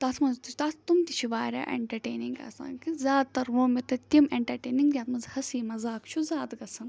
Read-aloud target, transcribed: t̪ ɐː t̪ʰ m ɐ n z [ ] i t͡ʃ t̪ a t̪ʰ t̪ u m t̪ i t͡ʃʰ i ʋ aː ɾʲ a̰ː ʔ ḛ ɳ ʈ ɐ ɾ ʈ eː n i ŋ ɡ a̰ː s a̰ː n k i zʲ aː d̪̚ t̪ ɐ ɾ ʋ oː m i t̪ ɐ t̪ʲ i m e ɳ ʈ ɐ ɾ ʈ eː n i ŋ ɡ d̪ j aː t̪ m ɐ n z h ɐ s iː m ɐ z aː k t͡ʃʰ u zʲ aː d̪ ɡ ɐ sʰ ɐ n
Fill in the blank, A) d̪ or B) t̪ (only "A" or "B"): B